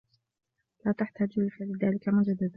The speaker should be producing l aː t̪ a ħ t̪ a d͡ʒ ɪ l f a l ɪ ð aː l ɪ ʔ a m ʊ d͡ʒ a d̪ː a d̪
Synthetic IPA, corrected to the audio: l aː t̪ a ħ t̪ a d͡ʒ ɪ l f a l ɪ ð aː l ɪ k a m ʊ d͡ʒ a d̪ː a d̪